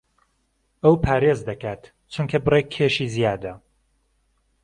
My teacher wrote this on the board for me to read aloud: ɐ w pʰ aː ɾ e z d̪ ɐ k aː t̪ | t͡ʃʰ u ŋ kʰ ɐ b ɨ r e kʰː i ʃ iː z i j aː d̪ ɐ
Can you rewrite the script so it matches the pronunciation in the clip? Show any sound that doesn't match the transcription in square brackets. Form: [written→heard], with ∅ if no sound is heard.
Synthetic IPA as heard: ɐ w pʰ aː ɾ e z d̪ ɐ k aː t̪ | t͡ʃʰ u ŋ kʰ ɐ b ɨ r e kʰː [i→e] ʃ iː z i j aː d̪ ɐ